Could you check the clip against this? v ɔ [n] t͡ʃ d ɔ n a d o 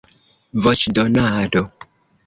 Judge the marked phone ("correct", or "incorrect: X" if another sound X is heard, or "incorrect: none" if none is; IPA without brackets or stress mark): incorrect: none